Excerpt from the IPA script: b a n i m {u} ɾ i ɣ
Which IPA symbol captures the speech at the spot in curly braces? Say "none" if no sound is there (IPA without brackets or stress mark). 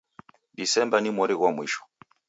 ɔ